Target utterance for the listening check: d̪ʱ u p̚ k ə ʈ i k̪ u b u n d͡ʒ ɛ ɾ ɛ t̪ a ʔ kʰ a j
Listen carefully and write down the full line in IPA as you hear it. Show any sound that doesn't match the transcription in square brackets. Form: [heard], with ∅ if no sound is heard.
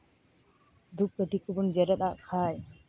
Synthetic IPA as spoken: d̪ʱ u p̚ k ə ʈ i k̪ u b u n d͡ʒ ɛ ɾ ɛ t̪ a ʔ kʰ a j